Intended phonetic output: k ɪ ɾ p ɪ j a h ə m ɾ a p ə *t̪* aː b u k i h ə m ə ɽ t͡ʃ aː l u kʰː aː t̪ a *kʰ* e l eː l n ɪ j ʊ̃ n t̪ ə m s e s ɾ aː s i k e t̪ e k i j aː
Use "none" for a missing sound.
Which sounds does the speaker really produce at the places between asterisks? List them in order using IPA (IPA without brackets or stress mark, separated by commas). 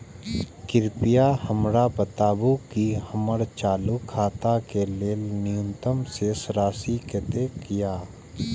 t̪, k